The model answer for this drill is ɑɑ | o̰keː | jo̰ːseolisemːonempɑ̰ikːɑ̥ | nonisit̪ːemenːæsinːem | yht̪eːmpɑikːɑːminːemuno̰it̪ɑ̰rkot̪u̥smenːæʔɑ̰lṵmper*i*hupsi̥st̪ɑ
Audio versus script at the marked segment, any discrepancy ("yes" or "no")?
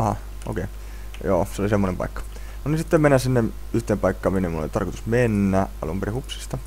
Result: no